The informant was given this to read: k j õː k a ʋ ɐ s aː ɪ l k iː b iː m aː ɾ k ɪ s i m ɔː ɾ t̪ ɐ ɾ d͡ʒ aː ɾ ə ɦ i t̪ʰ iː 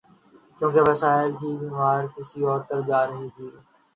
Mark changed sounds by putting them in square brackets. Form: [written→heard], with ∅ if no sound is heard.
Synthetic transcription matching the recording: k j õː k [a→e] ʋ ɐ s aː ɪ l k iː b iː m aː ɾ k ɪ s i [m→∅] ɔː ɾ t̪ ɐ ɾ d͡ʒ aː ɾ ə ɦ i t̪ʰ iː